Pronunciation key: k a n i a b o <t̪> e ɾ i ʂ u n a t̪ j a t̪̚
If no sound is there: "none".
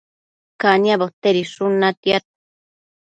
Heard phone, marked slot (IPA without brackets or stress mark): t̪